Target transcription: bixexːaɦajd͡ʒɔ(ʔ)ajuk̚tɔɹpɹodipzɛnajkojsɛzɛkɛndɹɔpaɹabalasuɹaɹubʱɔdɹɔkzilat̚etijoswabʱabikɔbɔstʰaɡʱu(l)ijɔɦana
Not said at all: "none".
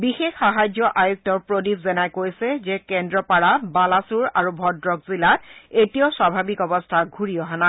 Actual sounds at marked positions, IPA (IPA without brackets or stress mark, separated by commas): ʔ, ɹ